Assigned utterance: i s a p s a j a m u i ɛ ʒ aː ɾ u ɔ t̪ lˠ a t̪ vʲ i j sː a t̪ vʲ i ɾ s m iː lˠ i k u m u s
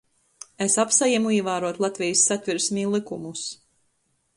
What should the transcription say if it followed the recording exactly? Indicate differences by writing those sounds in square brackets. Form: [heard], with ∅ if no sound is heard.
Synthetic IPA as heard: [e] s a p s a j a m u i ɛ [v] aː ɾ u ɔ t̪ lˠ a t̪ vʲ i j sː a t̪ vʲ i ɾ s m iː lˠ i k u m u s